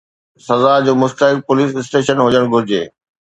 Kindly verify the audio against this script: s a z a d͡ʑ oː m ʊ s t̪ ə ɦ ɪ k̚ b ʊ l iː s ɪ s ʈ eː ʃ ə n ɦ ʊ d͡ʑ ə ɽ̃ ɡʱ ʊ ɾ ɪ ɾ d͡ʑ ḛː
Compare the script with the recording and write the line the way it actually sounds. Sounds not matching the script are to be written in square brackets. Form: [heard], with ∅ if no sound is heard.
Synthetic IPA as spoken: s [ɐ] z a d͡ʑ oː m ʊ s t̪ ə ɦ ɪ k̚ [p] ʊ l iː s ɪ s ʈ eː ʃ ə n ɦ ʊ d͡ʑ ə ɽ̃ ɡʱ ʊ ɾ ɪ [∅] d͡ʑ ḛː